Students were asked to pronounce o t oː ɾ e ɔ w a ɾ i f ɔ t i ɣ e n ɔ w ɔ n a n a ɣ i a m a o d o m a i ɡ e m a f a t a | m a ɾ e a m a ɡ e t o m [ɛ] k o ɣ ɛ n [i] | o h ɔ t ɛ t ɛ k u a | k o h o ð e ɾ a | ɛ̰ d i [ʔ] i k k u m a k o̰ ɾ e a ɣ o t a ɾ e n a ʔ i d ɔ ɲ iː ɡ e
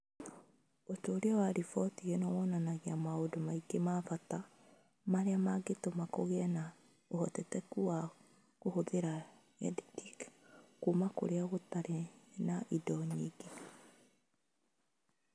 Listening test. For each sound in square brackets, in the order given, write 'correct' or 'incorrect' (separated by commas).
incorrect, incorrect, incorrect